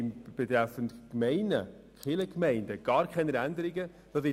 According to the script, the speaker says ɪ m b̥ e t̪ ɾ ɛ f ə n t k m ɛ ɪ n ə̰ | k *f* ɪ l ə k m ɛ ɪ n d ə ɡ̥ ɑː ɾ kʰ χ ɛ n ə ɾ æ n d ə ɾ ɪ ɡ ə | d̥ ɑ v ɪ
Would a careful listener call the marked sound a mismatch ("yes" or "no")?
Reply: yes